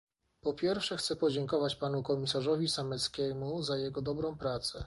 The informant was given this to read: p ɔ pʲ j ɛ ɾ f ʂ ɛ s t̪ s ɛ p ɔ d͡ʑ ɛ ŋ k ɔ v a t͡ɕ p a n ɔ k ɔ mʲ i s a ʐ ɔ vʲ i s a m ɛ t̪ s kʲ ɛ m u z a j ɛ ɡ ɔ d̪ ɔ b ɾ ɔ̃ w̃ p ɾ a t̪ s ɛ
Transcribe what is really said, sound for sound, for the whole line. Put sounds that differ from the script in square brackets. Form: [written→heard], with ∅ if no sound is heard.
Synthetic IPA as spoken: p ɔ pʲ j ɛ ɾ f ʂ ɛ [s→x] t̪ s ɛ p ɔ d͡ʑ ɛ ŋ k ɔ v a t͡ɕ p a n [ɔ→u] k ɔ mʲ i s a ʐ ɔ vʲ i s a m ɛ t̪ s kʲ ɛ m u z a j ɛ ɡ ɔ d̪ ɔ b ɾ ɔ̃ w̃ p ɾ a t̪ s ɛ